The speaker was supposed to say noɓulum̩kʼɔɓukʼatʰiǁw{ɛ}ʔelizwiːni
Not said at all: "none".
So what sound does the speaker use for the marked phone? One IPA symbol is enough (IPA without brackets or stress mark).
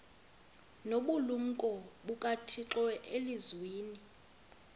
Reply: ɛ